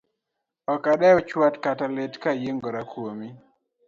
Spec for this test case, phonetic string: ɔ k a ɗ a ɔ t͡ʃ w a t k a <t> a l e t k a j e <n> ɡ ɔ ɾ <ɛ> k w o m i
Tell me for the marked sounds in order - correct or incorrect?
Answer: correct, incorrect, incorrect

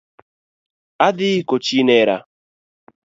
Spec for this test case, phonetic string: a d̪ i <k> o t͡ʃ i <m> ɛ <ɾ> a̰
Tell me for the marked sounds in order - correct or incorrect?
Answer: correct, incorrect, correct

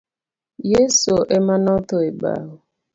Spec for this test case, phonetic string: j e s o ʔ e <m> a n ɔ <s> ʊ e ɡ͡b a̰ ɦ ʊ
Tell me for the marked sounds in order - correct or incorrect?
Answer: correct, incorrect

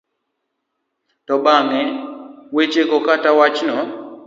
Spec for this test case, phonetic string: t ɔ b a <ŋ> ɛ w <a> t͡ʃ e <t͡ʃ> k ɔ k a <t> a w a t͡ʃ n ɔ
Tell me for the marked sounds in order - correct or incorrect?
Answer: correct, incorrect, incorrect, correct

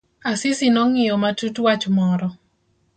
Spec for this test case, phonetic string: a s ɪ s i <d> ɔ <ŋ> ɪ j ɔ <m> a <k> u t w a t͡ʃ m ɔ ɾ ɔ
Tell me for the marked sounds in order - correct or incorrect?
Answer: incorrect, correct, correct, incorrect

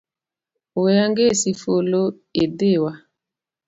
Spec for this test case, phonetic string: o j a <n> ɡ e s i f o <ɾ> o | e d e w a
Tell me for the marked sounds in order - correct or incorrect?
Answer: incorrect, incorrect

